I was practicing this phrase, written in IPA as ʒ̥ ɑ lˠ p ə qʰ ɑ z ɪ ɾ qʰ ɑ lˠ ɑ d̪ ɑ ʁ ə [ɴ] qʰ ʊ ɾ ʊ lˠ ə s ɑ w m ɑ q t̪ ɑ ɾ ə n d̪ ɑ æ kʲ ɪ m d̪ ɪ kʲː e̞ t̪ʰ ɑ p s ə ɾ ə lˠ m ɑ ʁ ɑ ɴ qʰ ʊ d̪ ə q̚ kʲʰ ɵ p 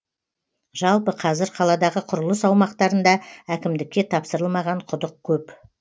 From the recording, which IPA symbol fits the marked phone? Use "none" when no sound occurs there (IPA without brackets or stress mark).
none